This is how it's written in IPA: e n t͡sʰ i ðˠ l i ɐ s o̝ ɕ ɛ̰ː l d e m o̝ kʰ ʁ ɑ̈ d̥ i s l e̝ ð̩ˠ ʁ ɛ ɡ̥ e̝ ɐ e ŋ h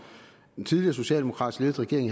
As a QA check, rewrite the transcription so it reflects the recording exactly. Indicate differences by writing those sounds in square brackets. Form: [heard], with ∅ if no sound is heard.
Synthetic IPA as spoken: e n t͡sʰ i ðˠ l i ɐ s o̝ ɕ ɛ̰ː l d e m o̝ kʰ ʁ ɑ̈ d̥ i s l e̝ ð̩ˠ ʁ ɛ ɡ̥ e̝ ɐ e ŋ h